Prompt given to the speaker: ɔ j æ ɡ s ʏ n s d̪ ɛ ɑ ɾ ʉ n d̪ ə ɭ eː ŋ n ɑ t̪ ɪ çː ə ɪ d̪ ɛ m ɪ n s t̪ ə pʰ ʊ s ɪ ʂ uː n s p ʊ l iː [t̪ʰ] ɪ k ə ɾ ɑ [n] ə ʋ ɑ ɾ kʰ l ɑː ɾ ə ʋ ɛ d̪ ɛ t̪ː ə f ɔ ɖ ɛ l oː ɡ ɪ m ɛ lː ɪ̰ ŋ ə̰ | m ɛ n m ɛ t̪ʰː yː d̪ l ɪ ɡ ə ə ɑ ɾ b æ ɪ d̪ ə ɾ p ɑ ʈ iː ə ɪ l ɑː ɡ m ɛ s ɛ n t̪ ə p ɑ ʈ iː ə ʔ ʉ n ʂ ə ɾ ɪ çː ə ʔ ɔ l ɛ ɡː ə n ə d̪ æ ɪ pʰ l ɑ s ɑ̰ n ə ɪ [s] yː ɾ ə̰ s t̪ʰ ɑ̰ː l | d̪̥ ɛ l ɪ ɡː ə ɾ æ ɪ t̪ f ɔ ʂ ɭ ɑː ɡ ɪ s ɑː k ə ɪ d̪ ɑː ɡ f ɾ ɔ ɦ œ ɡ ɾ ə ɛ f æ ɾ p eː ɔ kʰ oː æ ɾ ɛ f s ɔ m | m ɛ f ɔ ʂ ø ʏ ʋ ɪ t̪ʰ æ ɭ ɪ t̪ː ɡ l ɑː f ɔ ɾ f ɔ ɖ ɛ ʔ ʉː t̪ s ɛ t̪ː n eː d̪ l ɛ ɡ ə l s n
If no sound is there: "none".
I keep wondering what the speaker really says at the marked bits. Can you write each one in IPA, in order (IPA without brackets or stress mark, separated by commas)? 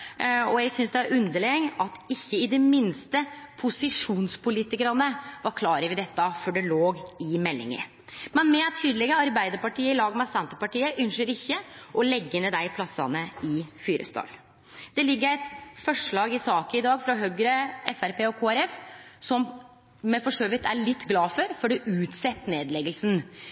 t̪, n, f